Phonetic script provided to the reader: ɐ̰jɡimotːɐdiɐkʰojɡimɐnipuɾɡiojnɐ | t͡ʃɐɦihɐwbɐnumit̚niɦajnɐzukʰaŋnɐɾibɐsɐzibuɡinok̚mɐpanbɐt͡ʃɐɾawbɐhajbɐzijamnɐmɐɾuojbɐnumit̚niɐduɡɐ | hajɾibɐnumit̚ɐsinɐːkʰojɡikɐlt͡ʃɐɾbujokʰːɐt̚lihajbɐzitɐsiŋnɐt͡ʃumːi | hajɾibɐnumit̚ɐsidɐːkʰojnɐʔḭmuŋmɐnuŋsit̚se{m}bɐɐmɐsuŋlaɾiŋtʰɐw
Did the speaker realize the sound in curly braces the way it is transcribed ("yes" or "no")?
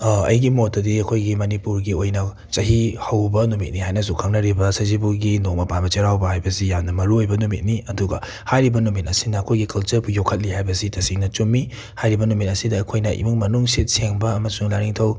no